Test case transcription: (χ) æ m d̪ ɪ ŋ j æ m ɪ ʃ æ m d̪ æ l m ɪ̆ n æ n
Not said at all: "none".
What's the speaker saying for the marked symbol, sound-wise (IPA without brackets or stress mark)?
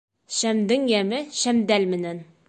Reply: ʃ